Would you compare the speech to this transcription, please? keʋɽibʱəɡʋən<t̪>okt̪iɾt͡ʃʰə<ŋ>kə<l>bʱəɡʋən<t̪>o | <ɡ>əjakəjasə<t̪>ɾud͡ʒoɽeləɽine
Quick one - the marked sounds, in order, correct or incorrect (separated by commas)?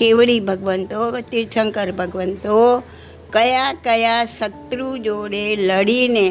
correct, correct, incorrect, correct, incorrect, correct